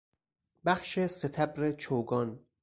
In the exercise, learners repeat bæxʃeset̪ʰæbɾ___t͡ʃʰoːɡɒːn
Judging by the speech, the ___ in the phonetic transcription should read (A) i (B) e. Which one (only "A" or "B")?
B